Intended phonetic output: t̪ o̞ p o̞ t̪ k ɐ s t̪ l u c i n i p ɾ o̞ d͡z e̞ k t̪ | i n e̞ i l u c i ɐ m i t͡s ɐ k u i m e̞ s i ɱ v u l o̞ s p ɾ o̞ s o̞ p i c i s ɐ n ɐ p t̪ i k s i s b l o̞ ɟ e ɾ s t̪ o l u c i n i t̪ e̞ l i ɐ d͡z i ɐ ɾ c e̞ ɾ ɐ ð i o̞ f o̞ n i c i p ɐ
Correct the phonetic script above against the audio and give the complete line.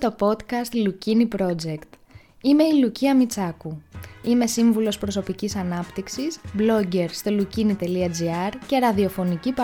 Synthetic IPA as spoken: t̪ o̞ p o̞ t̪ k ɐ s t̪ l u c i n i p ɾ o̞ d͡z e̞ k t̪ | i m e̞ i l u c i ɐ m i t͡s ɐ k u i m e̞ s i ɱ v u l o̞ s p ɾ o̞ s o̞ p i c i s ɐ n ɐ p t̪ i k s i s b l o̞ ɟ e ɾ s t̪ o l u c i n i t̪ e̞ l i ɐ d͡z i ɐ ɾ c e̞ ɾ ɐ ð i o̞ f o̞ n i c i p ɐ